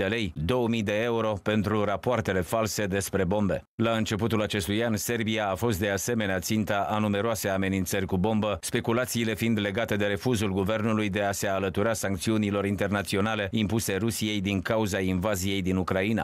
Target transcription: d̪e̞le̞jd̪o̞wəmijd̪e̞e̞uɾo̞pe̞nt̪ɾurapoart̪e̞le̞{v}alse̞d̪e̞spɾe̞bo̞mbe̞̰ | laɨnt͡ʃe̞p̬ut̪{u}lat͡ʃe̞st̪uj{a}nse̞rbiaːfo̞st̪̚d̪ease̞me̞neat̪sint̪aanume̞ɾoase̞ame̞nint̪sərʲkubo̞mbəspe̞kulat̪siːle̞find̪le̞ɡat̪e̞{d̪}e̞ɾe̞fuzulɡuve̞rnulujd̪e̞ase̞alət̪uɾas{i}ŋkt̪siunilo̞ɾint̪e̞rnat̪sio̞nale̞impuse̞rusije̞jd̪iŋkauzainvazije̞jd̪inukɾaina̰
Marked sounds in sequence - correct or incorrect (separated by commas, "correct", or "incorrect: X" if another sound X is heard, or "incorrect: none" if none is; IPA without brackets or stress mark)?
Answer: incorrect: f, correct, correct, correct, incorrect: a